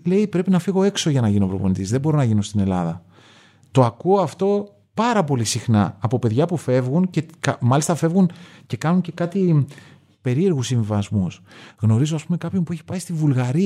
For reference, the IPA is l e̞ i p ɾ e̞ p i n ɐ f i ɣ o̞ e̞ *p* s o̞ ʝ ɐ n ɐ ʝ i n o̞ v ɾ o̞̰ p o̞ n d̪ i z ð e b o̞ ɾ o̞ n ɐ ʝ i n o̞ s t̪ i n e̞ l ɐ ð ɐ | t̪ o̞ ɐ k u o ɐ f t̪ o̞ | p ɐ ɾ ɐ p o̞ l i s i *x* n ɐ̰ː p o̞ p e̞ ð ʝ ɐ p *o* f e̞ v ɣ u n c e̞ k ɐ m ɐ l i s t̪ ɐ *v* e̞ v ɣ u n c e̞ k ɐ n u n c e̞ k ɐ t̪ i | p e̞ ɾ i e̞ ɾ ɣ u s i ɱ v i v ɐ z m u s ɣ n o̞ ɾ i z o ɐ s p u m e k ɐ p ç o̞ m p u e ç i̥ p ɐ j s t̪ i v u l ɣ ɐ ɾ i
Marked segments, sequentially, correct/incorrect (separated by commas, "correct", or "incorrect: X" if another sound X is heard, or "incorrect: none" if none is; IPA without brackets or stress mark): incorrect: k, correct, incorrect: u, incorrect: f